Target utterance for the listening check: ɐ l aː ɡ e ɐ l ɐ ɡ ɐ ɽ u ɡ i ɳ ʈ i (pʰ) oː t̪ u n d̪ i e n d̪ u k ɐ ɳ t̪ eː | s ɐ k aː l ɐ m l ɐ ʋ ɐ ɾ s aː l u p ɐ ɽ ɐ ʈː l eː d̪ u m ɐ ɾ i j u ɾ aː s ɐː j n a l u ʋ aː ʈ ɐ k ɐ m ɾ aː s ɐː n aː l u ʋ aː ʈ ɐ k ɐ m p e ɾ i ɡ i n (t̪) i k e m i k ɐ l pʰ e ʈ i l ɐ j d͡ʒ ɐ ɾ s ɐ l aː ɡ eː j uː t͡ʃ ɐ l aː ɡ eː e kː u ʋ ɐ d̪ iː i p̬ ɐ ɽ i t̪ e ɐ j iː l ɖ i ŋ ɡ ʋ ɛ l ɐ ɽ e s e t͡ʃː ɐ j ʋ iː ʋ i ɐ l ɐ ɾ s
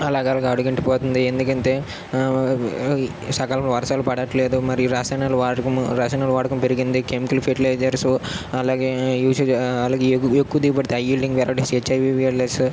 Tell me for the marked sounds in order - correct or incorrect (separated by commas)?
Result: incorrect, incorrect